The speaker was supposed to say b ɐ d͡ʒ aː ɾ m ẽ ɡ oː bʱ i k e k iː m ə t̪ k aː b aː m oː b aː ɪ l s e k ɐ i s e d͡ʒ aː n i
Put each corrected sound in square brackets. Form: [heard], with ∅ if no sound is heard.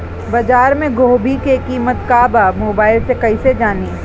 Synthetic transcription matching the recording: b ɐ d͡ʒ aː ɾ m ẽ ɡ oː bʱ i k e k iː m ə t̪ k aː b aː m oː b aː ɪ l s e k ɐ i s e d͡ʒ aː n i